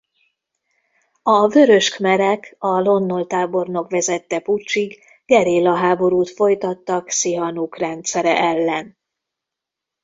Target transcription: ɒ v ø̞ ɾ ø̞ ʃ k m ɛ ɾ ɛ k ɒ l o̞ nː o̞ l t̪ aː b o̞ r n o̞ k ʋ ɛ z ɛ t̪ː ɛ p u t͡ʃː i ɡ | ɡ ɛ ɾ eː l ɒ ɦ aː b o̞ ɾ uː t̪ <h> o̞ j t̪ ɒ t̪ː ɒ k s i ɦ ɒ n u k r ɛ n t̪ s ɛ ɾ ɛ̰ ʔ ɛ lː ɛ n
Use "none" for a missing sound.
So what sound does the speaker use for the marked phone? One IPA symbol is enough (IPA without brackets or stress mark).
f